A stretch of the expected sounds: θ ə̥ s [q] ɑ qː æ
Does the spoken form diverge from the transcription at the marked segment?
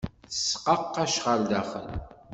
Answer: no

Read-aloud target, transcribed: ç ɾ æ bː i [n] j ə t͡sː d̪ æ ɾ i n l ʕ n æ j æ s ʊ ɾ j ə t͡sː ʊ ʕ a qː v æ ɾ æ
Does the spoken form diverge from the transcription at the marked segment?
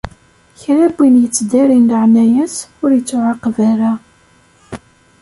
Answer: no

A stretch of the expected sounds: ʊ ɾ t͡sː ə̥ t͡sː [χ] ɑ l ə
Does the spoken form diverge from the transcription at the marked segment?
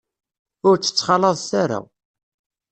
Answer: no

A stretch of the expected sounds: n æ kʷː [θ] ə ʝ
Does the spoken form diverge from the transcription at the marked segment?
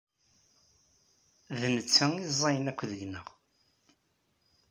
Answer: yes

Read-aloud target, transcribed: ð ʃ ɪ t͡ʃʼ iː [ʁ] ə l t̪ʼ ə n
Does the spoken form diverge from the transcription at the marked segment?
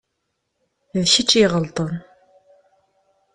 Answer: no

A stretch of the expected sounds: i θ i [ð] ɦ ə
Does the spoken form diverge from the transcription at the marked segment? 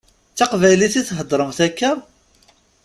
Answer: yes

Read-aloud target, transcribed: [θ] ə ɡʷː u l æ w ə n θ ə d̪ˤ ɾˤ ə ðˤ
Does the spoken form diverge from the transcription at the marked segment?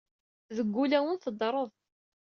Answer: yes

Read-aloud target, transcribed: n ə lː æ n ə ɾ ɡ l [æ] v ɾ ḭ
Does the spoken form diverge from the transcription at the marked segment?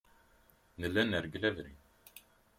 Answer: no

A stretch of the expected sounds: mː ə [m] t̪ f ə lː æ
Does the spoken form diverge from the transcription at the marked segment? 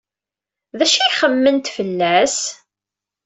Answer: yes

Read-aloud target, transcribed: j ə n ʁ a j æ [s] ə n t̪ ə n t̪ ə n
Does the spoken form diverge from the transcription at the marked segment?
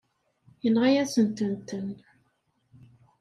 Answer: no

